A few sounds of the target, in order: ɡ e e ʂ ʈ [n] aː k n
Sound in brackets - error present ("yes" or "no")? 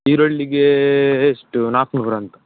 no